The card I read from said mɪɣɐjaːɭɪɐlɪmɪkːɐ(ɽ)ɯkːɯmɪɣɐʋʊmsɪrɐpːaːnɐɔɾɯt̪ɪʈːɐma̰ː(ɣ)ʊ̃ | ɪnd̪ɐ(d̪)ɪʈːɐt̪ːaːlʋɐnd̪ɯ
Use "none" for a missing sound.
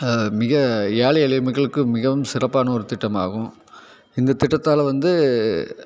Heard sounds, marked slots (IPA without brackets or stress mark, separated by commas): ɭ, ɣ, t̪